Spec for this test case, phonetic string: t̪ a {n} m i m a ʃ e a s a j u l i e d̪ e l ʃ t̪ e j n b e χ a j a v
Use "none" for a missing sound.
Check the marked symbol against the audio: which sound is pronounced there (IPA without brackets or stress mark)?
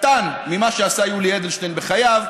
n